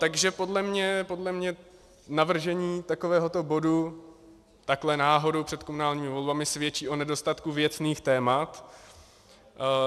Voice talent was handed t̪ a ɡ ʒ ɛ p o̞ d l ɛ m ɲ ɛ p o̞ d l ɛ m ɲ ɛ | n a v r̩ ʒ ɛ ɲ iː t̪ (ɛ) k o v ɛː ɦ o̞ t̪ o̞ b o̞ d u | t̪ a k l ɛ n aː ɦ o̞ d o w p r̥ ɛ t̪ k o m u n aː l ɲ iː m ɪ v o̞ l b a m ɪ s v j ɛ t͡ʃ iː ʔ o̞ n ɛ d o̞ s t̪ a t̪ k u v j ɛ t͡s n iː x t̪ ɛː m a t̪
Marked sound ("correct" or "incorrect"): incorrect